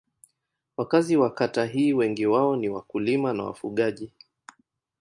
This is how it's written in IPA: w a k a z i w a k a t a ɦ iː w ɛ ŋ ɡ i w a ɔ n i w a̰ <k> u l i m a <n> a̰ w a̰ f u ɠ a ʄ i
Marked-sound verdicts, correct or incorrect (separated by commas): correct, correct